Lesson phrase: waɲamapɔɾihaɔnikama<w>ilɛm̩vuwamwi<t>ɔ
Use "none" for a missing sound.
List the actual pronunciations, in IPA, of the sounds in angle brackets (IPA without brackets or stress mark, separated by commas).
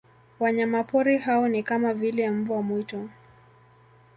v, t